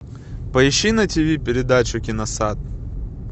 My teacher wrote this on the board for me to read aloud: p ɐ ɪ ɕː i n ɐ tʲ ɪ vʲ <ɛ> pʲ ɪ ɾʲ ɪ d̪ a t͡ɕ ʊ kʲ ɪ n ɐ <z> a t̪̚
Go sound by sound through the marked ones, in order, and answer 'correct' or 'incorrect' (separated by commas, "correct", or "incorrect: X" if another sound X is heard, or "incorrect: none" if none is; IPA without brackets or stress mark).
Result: incorrect: i, incorrect: s